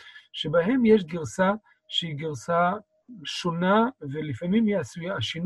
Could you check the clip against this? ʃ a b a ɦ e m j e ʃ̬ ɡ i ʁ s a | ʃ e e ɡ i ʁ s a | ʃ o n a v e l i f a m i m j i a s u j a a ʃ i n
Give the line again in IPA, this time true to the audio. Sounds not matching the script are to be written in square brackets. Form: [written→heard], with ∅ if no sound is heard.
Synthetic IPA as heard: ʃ [a→e] b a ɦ e m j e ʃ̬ ɡ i ʁ s a | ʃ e [e→i] ɡ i ʁ s a | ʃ o n a v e l i f a m i m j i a s u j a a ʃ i n